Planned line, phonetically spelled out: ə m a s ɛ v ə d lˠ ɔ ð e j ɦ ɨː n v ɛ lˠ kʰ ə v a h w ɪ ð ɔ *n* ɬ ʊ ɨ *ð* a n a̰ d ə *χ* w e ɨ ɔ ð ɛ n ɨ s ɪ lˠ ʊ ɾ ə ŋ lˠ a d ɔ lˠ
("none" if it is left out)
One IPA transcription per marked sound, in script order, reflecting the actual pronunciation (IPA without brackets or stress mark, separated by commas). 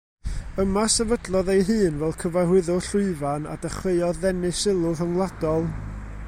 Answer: none, v, χ